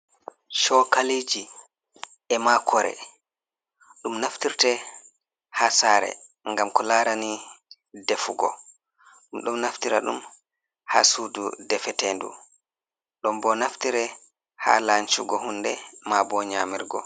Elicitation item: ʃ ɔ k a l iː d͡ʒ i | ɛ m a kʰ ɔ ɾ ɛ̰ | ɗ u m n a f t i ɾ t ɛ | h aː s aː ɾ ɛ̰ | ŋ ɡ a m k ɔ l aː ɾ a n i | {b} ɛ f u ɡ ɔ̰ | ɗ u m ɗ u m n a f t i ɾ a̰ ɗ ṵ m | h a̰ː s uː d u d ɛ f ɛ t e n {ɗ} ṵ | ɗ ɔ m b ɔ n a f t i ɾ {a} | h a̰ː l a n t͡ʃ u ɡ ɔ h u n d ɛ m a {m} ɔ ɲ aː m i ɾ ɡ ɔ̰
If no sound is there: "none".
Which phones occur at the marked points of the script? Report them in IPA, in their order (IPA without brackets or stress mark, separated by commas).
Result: d, d, ɛ, b